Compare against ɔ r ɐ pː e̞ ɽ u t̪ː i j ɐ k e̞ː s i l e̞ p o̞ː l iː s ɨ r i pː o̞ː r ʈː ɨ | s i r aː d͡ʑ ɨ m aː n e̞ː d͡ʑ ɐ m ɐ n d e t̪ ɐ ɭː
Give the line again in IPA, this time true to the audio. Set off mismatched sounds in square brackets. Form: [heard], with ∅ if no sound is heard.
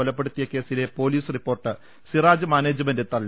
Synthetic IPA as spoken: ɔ [l] ɐ pː e̞ ɽ u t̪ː i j ɐ k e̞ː s i l e̞ p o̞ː l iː s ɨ r i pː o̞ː r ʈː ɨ | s i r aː d͡ʑ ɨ m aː n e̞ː d͡ʑ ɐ m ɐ n d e t̪ ɐ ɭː